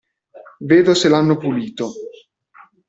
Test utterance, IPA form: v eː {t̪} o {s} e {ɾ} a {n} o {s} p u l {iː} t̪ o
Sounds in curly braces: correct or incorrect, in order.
incorrect: d̪, correct, incorrect: l, incorrect: nː, incorrect: none, correct

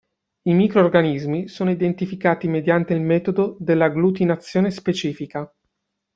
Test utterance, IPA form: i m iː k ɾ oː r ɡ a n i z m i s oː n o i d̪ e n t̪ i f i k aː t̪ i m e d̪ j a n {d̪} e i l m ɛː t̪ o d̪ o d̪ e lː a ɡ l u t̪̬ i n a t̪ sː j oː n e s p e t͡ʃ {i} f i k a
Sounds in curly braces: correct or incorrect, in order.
incorrect: t̪, incorrect: iː

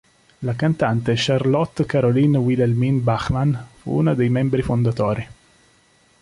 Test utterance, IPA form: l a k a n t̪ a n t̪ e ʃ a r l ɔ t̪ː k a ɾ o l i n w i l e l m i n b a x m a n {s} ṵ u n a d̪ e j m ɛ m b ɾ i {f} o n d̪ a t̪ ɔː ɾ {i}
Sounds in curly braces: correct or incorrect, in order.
incorrect: f, correct, correct

